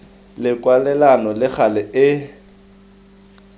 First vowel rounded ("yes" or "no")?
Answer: no